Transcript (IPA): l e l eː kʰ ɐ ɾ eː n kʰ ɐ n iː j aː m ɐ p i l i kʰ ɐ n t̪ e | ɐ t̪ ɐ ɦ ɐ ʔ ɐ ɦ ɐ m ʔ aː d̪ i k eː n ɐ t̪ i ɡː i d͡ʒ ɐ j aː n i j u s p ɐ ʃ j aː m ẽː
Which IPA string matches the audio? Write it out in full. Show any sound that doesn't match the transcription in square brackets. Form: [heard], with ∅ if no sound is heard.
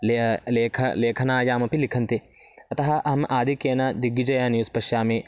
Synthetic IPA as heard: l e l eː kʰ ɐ [l] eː [∅] kʰ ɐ n [aː] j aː m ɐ p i l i kʰ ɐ n t̪ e | ɐ t̪ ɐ ɦ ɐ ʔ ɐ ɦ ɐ m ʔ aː d̪ i k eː n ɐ [d̪] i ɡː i d͡ʒ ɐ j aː n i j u s p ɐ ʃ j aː m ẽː